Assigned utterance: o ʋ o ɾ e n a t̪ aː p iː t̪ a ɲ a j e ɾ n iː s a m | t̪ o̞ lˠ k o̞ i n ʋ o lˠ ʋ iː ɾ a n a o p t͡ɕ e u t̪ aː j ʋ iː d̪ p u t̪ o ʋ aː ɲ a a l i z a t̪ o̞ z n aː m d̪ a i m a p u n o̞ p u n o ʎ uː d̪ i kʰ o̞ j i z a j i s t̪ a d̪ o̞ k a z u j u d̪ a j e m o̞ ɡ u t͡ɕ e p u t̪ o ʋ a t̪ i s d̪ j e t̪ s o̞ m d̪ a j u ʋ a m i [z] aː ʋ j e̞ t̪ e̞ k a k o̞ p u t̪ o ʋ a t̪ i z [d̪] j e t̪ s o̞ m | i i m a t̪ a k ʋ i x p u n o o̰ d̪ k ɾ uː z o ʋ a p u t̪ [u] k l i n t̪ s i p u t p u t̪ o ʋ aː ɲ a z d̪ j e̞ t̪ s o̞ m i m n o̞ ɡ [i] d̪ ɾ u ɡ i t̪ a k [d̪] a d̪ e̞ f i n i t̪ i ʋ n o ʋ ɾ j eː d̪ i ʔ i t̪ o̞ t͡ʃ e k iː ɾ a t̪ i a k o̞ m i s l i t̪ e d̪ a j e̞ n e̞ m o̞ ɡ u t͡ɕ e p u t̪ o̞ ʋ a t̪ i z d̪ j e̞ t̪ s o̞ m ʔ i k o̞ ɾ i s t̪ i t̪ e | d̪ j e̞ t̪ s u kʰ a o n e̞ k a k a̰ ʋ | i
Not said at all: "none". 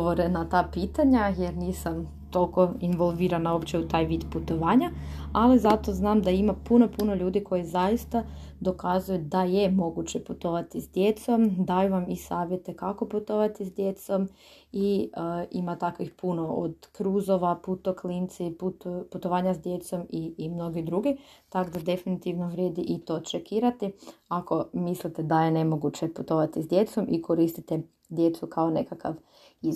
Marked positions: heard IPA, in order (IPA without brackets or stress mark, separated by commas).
s, d̪, o, i, d̪